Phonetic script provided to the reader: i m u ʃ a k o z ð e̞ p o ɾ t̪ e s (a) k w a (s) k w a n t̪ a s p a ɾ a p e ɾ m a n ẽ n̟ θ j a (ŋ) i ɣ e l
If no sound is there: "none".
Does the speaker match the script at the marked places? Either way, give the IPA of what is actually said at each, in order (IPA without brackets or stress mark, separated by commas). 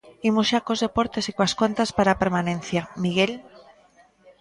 i, s, m